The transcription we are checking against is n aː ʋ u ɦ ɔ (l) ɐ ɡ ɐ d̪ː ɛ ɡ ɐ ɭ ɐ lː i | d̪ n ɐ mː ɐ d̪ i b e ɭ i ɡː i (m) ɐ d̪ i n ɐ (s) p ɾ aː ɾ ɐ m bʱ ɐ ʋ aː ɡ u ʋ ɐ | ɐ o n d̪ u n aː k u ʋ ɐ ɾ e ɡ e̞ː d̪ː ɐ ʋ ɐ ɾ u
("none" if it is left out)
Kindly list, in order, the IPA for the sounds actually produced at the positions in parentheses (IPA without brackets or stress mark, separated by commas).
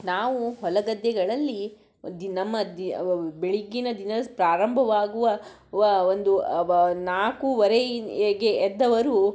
l, n, s